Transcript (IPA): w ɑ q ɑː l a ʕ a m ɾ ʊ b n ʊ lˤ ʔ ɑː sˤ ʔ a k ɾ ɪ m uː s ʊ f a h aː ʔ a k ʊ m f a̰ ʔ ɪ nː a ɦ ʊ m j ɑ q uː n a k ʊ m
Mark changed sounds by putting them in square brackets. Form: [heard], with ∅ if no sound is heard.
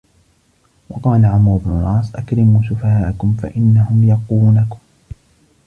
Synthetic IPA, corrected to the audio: w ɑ q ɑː l a ʕ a m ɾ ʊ b n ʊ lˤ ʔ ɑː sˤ ʔ a k ɾ ɪ m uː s ʊ f a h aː ʔ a k ʊ m f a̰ ʔ ɪ nː a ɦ ʊ m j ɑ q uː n a k ʊ m

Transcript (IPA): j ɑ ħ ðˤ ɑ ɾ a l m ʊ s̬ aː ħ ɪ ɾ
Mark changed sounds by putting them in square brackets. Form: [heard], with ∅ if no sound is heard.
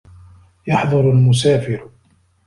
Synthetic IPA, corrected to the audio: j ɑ ħ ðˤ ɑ ɾ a l m ʊ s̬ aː [f] ɪ ɾ

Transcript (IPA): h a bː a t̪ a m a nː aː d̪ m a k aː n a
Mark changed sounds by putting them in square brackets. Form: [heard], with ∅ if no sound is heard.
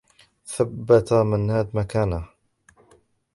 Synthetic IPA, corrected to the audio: [θ] a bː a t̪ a m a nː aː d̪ m a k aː n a

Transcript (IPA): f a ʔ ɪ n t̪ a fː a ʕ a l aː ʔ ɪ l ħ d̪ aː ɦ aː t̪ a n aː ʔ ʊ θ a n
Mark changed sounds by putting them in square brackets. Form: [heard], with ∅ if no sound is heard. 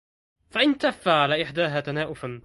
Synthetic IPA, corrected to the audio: f a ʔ ɪ n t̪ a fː a ʕ a l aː ʔ ɪ [∅] ħ d̪ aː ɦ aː t̪ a n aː ʔ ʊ [f] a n

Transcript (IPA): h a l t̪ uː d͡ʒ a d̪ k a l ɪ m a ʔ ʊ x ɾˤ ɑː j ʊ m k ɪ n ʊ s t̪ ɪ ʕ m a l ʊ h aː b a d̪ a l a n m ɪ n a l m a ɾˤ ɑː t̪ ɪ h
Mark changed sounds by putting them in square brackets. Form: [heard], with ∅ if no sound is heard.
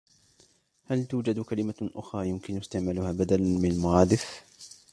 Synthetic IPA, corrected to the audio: h a l t̪ uː d͡ʒ a d̪ k a l ɪ m a ʔ ʊ x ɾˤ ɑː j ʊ m k ɪ n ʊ s t̪ ɪ ʕ m a l ʊ h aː b a d̪ a l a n m ɪ n a l m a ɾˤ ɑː [d̪] ɪ [f]

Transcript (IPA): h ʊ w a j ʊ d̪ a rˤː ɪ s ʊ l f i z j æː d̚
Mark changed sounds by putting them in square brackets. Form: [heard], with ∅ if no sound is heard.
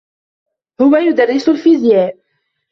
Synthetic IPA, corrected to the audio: h ʊ w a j ʊ d̪ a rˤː ɪ s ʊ l f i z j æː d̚

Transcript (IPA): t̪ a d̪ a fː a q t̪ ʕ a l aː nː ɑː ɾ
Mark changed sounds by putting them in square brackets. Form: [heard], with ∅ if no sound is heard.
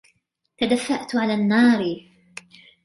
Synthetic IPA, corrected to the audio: t̪ a d̪ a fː a [ʔ] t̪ ʕ a l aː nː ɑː ɾ

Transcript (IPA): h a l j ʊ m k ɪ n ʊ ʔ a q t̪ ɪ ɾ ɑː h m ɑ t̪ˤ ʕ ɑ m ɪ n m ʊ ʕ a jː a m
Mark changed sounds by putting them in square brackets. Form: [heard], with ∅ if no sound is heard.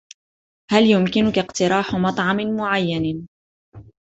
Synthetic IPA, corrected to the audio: h a l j ʊ m k ɪ n ʊ [k] a q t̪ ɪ ɾ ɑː [ħ] m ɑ t̪ˤ ʕ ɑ m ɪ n m ʊ ʕ a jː a [n]

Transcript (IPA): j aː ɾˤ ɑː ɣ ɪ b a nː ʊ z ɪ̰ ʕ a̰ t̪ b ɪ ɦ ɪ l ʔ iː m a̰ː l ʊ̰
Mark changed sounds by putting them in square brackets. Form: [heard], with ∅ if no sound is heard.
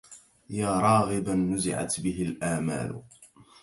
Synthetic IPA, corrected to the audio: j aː ɾˤ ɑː ɣ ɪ b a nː ʊ z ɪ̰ ʕ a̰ t̪ b ɪ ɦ ɪ l ʔ [aː] m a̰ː l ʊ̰

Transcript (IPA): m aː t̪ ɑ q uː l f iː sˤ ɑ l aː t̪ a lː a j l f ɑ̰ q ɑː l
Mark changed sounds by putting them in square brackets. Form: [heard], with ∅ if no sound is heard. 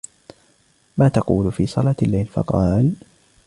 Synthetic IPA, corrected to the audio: m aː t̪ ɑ q uː l f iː sˤ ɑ l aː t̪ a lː a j l f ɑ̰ q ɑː l

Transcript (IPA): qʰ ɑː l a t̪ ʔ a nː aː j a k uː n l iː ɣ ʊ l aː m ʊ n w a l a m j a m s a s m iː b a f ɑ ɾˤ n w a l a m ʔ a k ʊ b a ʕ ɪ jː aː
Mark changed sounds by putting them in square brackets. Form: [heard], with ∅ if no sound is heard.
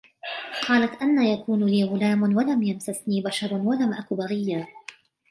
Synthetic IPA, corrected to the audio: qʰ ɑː l a t̪ ʔ a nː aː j a k uː n l iː ɣ ʊ l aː m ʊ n w a l a m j a m s a s [n] iː b a [ʃ] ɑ ɾˤ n w a l a m ʔ a k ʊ b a [ɣ] ɪ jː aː

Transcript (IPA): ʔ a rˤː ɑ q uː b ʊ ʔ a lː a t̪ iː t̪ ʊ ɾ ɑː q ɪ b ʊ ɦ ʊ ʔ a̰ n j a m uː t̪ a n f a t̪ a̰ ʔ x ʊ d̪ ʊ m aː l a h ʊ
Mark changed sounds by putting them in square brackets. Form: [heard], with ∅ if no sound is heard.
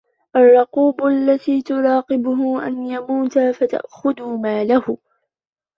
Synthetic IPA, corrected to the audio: ʔ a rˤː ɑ q uː b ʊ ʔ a lː a t̪ iː t̪ ʊ ɾ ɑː q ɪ b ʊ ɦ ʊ ʔ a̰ n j a m uː t̪ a [∅] f a t̪ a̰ ʔ x ʊ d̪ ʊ m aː l a h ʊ

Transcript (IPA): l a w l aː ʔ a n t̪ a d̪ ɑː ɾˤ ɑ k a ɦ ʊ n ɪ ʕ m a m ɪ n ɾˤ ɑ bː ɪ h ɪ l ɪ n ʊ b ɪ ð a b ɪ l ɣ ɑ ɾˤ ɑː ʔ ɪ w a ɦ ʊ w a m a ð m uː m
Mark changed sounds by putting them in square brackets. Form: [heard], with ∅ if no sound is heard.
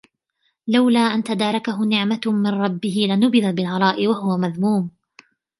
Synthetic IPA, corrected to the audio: l a w l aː ʔ a n t̪ a d̪ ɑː ɾˤ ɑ k a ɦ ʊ n ɪ ʕ m a m ɪ n ɾˤ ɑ bː ɪ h ɪ l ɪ n ʊ b ɪ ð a b ɪ l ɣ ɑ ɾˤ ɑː ʔ ɪ w a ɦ ʊ w a m a ð m uː m

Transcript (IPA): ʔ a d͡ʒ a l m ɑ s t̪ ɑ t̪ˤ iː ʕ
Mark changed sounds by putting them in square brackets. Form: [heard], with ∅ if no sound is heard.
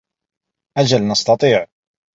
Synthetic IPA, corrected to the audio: ʔ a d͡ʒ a l [n] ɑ s t̪ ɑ t̪ˤ iː ʕ

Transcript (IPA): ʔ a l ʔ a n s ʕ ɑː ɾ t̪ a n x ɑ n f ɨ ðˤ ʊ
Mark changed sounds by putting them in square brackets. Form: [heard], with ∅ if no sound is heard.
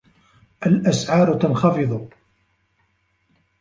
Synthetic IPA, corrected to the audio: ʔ a l ʔ a [∅] s ʕ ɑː ɾ t̪ a n x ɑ [∅] f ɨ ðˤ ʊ

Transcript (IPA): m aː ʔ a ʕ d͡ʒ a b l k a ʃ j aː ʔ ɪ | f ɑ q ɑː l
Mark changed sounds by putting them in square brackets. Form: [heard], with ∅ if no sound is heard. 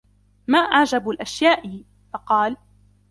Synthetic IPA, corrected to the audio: m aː ʔ a ʕ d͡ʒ a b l [ʔ] a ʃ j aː ʔ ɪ | f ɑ q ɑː l

